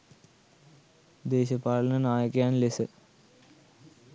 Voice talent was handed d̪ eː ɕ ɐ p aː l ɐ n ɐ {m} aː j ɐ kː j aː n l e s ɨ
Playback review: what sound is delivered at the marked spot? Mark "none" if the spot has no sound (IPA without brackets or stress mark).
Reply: n